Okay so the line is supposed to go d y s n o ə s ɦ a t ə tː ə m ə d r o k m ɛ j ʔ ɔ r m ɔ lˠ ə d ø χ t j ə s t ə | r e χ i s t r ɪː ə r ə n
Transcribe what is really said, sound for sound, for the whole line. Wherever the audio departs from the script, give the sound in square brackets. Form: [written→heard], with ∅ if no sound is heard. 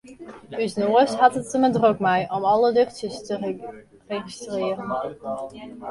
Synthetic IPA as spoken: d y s n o ə s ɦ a t ə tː ə m ə d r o k m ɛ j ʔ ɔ [r→∅] m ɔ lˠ ə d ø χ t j ə s t ə | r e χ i s t r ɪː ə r ə n